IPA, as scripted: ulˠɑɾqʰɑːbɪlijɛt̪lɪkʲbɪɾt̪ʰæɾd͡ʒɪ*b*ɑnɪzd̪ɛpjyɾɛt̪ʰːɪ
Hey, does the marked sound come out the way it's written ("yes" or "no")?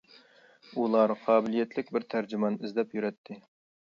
no